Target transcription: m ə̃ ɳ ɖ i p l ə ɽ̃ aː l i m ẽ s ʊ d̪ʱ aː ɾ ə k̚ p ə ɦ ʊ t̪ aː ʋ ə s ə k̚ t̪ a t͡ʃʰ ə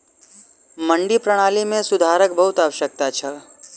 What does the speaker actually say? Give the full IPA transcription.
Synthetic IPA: m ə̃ ɳ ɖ i p ɾ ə ɽ̃ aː l i m ẽ s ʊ d̪ʱ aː ɾ ə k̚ b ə ɦ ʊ t̪ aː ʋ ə ʃ ə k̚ t̪ a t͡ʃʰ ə